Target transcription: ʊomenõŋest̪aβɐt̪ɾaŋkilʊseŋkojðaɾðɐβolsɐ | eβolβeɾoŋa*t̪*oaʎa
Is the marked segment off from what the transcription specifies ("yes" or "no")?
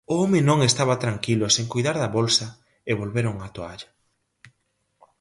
no